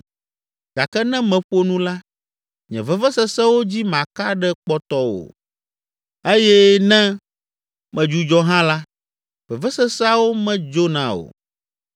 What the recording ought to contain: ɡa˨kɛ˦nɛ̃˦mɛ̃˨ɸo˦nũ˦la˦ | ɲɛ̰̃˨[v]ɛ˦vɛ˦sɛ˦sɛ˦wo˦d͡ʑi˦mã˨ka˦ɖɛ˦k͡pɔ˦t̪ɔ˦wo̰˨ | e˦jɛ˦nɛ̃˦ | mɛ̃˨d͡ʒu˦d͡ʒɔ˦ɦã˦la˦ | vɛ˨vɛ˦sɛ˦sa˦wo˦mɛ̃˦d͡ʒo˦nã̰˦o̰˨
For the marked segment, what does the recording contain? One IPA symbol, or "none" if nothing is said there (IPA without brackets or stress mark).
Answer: v